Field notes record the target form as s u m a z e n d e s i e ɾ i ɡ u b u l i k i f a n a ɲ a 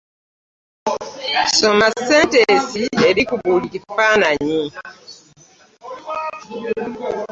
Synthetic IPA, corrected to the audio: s o m a s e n t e s i e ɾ i k u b u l i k i f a n a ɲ i